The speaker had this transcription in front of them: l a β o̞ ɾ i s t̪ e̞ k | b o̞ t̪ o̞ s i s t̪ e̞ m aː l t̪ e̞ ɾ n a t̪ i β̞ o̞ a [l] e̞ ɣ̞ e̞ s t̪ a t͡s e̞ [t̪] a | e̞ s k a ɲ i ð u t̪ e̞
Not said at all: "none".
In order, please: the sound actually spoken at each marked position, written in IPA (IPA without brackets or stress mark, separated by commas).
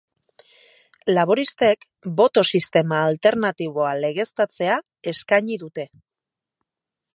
l, none